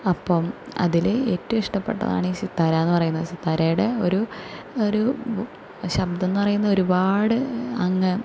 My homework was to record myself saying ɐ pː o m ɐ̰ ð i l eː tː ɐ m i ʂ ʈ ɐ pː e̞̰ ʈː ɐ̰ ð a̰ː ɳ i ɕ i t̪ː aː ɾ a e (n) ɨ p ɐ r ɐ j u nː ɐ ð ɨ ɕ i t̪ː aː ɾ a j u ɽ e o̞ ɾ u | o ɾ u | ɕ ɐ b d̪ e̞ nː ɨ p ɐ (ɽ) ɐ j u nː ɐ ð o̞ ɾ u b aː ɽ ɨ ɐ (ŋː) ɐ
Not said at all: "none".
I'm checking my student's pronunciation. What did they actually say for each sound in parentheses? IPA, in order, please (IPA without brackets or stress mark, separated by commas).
nː, r, ŋː